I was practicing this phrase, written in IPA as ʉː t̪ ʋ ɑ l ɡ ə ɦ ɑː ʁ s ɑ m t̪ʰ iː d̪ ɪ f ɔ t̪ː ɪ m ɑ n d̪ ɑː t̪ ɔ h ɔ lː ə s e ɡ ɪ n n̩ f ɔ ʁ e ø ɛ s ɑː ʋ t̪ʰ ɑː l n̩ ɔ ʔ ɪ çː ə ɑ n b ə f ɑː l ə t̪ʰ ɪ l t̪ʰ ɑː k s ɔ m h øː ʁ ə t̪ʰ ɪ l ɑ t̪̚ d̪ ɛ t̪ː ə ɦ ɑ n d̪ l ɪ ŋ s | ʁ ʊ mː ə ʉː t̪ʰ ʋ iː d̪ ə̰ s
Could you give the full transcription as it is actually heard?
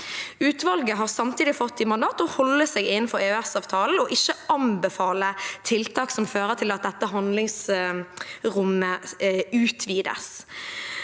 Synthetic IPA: ʉː t̪ ʋ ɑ l ɡ ə ɦ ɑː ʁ s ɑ m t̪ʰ iː d̪ ɪ f ɔ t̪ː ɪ m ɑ n d̪ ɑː t̪ ɔ h ɔ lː ə s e ɡ ɪ n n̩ f ɔ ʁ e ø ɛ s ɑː ʋ t̪ʰ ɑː l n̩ ɔ ʔ ɪ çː ə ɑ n b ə f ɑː l ə t̪ʰ ɪ l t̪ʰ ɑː k s ɔ m f øː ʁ ə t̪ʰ ɪ l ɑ t̪̚ d̪ ɛ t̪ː ə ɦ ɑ n d̪ l ɪ ŋ s | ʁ ʊ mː ə ʉː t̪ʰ ʋ iː d̪ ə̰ s